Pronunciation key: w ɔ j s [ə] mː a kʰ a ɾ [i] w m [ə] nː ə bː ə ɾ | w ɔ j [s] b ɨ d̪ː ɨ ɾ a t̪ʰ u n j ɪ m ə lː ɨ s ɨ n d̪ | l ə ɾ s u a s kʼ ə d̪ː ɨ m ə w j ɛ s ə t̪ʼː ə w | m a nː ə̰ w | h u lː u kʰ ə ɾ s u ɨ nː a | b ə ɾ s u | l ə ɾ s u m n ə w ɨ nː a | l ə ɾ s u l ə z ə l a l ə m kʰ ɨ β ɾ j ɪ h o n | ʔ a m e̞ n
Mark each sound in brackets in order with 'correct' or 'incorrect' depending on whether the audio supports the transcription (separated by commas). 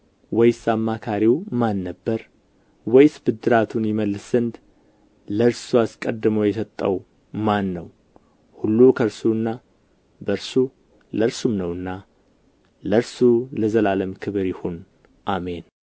incorrect, correct, incorrect, correct